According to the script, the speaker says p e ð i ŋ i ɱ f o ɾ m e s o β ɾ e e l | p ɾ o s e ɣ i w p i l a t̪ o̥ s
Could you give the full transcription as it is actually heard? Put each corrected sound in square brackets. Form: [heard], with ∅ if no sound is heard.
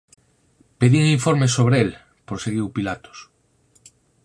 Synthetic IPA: p e ð i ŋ i ɱ f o ɾ m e s o β ɾ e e l | p ɾ o s e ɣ i w p i l a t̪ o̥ s